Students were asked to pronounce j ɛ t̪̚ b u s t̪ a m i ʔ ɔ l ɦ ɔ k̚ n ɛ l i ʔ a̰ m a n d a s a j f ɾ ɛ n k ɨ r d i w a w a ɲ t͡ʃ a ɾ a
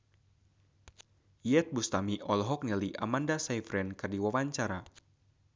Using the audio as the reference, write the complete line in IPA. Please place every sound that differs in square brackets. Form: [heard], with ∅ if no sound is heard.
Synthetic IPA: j ɛ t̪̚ b u s t̪ a m i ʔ ɔ l ɦ ɔ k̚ n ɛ l i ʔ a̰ m a n d a s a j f ɾ ɛ n k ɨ r d i w a w a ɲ t͡ʃ a ɾ a